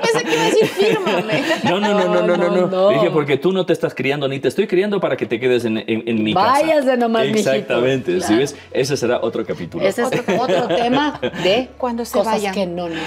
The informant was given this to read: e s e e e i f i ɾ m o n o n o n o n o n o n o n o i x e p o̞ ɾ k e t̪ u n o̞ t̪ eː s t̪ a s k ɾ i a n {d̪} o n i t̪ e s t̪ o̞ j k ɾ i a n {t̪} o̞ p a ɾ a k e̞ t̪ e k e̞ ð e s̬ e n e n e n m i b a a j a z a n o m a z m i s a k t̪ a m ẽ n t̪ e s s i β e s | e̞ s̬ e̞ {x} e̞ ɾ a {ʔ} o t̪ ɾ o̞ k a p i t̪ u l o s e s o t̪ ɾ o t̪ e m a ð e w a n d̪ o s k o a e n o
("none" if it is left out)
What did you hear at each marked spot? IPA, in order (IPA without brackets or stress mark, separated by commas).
d̪, d̪, s, ʔ